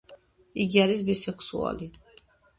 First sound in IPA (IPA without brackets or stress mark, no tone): i